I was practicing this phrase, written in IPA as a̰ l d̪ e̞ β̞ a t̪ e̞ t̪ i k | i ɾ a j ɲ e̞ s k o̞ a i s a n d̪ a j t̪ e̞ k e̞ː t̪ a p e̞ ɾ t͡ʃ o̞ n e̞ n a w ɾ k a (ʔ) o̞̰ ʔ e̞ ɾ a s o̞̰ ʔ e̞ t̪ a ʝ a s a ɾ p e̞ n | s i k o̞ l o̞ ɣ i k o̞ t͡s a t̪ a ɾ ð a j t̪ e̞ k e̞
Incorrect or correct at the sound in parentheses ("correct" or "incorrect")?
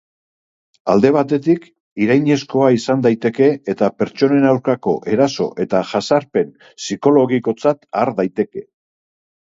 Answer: incorrect